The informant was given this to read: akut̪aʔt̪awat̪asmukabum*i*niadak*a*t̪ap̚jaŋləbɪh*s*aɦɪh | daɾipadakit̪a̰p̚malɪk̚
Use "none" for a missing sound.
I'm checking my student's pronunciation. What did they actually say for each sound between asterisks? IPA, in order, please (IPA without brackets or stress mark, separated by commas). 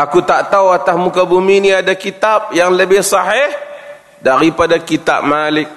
i, i, s